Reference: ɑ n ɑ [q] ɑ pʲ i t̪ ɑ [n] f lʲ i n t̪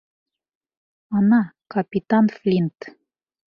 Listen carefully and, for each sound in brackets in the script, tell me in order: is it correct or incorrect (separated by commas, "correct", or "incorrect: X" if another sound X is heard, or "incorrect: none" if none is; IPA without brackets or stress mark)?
incorrect: k, correct